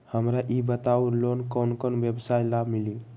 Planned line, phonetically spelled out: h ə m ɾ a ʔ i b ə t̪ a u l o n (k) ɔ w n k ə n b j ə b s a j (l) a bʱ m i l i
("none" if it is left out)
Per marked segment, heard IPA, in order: k, l

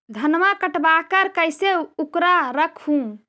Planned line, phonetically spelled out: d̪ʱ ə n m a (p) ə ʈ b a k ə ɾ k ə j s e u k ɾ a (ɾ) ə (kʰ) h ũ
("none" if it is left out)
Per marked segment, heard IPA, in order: k, ɾ, kʰ

